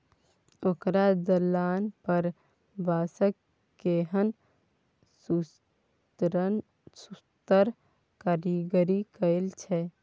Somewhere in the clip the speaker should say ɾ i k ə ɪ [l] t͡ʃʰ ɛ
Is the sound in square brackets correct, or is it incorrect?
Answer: correct